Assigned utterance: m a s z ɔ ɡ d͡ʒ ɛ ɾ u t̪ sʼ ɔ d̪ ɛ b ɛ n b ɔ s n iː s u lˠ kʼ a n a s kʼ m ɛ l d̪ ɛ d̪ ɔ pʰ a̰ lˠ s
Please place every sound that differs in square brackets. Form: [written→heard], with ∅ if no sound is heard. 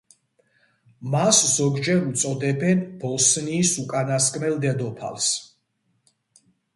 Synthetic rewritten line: m a s z ɔ ɡ d͡ʒ ɛ ɾ u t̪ sʼ ɔ d̪ ɛ b ɛ n b ɔ s n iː s u [lˠ→∅] kʼ a n a s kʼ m ɛ l d̪ ɛ d̪ ɔ pʰ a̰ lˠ s